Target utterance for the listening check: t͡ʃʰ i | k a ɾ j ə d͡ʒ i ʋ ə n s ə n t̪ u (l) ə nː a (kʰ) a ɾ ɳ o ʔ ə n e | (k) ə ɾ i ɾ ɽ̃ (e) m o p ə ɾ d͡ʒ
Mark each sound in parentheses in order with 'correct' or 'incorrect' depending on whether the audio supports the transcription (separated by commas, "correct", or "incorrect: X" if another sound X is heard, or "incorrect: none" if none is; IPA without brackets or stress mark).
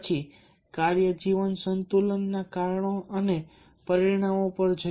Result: correct, incorrect: k, incorrect: p, incorrect: a